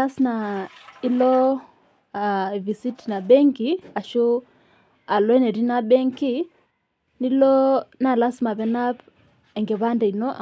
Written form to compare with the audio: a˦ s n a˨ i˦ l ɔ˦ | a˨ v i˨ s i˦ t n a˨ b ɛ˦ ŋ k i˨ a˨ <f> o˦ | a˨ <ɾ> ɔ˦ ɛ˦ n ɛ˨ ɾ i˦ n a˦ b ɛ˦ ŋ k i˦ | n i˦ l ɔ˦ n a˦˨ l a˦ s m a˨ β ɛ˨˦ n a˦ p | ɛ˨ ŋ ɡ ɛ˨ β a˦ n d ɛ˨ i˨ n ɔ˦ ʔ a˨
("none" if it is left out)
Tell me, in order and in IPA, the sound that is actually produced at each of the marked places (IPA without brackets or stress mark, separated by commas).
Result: ʃ, l